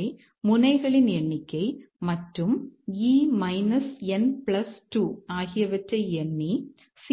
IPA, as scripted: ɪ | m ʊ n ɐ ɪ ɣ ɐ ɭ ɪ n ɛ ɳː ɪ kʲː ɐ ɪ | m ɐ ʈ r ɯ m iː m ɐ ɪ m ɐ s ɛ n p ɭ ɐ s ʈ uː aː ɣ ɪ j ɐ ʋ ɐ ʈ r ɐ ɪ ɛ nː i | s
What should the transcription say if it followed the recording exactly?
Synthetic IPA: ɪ | m ʊ n ɐ ɪ ɣ ɐ ɭ ɪ n ɛ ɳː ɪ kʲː ɐ ɪ | m ɐ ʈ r ɯ m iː m ɐ ɪ n ɐ s ɛ n p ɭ ɐ s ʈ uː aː ɣ ɪ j ɐ ʋ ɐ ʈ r ɐ ɪ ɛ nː i | s